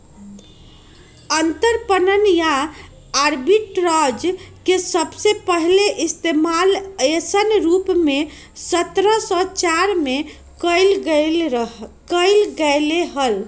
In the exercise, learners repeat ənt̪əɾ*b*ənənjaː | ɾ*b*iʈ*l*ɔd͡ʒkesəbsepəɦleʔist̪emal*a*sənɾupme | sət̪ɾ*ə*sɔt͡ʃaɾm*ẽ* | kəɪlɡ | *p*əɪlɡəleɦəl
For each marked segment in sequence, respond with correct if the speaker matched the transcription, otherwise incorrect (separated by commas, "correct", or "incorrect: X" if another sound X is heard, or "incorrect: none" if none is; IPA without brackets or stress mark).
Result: incorrect: p, correct, incorrect: ɾ, incorrect: e, correct, incorrect: e, incorrect: k